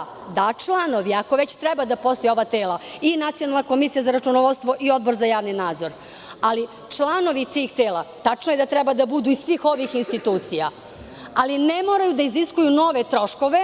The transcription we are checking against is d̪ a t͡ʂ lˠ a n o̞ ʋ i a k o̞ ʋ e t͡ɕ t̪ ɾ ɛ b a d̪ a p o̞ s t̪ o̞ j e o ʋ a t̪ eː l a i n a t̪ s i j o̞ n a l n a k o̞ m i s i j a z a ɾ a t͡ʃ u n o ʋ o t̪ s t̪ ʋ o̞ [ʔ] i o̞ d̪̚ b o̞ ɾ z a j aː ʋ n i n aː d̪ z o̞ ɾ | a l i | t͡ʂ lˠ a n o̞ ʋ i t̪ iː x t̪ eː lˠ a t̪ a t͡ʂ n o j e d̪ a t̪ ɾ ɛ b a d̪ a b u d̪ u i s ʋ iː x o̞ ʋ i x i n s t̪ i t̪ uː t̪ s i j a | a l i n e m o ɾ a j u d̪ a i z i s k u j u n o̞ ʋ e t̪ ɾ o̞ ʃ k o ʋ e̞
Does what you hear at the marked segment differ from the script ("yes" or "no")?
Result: no